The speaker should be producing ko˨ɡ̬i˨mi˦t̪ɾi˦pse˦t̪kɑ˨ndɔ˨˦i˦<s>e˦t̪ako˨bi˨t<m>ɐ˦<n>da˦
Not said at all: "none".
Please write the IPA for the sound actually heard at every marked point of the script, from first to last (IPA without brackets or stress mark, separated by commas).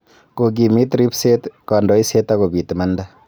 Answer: s, m, n